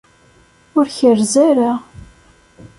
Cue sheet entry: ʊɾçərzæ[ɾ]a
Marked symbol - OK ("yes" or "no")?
yes